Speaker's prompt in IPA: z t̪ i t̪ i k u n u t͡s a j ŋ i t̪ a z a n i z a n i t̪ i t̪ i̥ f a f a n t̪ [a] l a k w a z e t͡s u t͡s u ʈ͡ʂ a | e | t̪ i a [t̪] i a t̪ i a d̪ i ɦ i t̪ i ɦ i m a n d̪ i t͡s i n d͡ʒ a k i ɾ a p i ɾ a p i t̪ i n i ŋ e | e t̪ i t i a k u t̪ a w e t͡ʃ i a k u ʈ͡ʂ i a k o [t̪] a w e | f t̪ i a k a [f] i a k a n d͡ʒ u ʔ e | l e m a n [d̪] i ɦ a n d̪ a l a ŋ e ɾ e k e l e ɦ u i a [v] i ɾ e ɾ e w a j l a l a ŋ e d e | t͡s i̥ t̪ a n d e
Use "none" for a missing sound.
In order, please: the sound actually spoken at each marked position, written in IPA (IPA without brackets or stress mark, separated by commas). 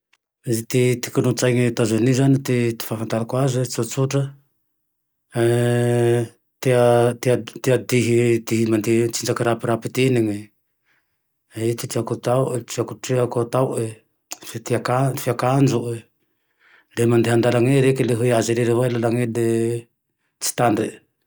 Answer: a, t̪, t̪, f, d̪, z